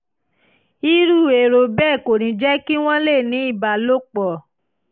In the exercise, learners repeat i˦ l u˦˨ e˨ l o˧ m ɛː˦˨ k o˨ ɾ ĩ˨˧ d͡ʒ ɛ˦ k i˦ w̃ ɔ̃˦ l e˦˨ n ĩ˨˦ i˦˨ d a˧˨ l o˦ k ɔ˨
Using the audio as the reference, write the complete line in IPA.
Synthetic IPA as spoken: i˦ ɾ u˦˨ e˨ ɾ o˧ b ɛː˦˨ k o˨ ɾ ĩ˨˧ d͡ʒ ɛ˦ k i˦ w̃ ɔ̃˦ l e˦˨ n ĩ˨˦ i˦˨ b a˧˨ l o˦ k͡p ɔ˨